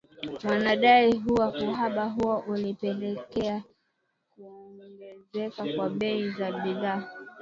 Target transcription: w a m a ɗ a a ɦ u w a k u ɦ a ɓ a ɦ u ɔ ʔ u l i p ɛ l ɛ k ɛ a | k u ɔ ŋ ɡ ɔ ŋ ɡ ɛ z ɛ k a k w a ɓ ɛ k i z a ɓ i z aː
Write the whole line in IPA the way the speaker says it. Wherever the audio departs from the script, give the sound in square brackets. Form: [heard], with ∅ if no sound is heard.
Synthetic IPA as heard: w a [n] a ɗ a [i] ɦ u w a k u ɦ a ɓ a ɦ u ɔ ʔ u l i p ɛ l ɛ k ɛ a | k u ɔ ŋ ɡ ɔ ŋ ɡ ɛ z ɛ k a k w a ɓ ɛ [∅] i z a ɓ i [ð] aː